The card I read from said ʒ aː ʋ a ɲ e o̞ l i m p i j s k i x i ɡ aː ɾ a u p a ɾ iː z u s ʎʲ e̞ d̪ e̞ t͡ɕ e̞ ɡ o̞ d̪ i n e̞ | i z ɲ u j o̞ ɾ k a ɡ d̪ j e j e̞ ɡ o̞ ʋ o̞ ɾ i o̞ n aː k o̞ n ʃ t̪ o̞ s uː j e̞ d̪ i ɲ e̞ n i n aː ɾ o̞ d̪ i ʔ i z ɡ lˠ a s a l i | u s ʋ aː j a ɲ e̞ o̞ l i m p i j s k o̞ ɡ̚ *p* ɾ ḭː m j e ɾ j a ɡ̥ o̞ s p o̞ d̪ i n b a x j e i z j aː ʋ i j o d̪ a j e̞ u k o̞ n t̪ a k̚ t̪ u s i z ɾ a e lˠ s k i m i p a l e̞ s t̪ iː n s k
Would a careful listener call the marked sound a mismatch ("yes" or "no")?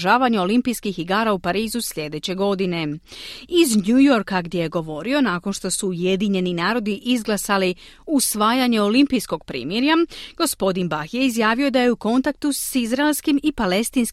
no